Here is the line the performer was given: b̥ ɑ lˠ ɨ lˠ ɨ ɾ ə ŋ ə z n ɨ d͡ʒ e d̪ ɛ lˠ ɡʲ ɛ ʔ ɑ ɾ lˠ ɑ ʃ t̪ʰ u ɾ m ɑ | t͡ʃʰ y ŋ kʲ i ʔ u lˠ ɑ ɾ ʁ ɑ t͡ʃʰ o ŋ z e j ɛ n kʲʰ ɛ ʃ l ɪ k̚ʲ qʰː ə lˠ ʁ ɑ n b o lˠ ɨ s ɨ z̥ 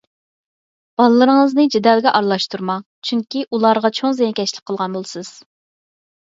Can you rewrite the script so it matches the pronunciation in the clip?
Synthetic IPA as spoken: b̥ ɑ lˠ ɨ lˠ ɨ ɾ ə ŋ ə z n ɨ d͡ʒ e d̪ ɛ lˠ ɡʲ ɛ ʔ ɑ ɾ lˠ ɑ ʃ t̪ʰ u ɾ m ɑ | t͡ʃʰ y ŋ kʲ i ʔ u lˠ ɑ ɾ ʁ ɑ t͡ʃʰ o ŋ z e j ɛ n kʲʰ ɛ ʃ l ɪ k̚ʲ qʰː ə lˠ ʁ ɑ n b o lˠ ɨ s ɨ z̥